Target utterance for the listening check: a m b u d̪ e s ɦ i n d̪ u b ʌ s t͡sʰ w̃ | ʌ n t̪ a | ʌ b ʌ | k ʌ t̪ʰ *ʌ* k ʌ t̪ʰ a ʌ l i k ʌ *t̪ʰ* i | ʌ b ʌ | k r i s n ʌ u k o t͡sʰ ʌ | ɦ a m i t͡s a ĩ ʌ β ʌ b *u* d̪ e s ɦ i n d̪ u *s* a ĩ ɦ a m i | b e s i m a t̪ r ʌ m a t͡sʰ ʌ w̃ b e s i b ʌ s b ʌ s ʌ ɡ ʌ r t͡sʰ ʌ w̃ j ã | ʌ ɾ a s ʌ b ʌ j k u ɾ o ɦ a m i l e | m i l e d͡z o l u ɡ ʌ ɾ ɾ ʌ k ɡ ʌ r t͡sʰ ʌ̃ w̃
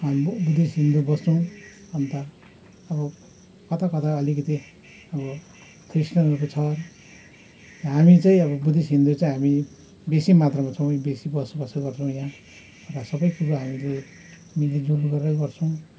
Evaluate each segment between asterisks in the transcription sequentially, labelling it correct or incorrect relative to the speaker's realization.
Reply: incorrect: a, incorrect: t̪, correct, incorrect: t͡s

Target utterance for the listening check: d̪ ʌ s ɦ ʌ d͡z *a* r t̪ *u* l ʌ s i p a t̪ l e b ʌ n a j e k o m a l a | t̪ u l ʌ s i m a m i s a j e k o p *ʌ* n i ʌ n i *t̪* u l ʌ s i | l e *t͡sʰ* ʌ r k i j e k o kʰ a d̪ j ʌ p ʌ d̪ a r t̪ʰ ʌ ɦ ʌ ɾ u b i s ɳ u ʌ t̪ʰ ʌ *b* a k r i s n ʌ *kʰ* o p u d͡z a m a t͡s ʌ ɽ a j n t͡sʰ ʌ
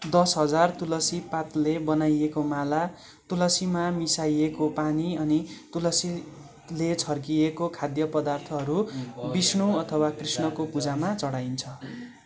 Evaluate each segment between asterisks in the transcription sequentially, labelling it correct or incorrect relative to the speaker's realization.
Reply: correct, correct, incorrect: a, correct, correct, incorrect: w, incorrect: k

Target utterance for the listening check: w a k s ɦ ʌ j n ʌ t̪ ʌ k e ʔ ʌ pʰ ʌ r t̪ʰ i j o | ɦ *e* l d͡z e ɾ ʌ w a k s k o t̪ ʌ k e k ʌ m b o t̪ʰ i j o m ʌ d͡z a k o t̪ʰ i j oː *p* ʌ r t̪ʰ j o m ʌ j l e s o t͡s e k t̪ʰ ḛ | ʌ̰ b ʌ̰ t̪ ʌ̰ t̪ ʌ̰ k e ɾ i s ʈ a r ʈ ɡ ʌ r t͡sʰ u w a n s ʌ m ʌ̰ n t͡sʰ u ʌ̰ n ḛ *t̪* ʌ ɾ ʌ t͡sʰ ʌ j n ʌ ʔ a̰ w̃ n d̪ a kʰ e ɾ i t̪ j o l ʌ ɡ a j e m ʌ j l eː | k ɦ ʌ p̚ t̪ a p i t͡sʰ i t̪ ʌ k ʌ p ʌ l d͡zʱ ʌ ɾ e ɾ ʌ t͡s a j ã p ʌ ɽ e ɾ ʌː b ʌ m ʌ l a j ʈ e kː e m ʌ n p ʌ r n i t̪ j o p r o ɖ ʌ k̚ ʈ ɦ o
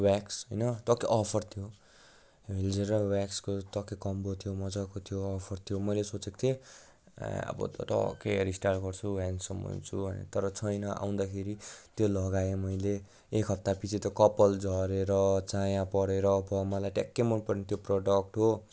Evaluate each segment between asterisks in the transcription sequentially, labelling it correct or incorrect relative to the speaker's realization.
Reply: correct, incorrect: pʰ, correct

